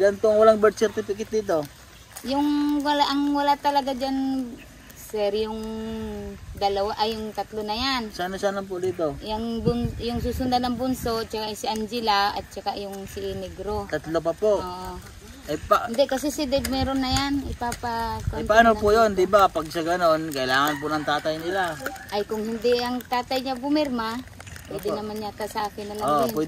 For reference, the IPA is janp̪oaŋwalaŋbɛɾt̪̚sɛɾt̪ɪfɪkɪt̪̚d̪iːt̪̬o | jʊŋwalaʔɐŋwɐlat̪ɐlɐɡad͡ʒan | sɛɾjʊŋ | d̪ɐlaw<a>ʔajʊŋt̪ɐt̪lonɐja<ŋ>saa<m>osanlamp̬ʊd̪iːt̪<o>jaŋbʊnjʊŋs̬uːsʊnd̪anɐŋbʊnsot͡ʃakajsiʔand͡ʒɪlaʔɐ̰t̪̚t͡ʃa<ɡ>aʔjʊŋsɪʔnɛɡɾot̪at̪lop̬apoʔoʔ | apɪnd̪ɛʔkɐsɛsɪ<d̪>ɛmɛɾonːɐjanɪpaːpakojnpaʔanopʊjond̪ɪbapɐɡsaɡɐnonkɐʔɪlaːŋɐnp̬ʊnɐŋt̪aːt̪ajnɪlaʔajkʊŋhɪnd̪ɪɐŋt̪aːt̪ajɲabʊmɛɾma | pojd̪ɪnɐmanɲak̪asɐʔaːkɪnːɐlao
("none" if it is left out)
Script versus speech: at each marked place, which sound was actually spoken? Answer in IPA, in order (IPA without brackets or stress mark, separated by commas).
a, n, n, o, k, d̪